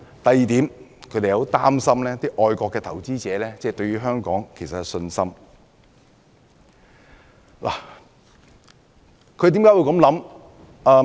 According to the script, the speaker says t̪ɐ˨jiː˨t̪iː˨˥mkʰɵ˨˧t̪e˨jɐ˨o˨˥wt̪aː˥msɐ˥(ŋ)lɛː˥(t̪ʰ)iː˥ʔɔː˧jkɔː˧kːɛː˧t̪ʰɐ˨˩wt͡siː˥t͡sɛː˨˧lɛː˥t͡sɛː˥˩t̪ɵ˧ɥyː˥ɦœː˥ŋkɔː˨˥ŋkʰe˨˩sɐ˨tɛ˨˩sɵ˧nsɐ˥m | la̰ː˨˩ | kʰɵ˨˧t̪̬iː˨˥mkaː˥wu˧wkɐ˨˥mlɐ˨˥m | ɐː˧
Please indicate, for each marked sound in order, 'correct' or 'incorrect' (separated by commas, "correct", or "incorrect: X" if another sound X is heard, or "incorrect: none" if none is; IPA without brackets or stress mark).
incorrect: m, incorrect: t̪